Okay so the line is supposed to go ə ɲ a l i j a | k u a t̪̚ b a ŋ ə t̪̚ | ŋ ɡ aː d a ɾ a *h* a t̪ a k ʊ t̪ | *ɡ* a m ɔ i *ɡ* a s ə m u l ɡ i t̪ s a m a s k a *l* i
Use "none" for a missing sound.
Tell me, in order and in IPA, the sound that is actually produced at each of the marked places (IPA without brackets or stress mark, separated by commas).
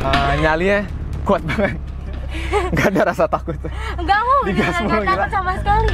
s, ɡ, ɡ, ɾ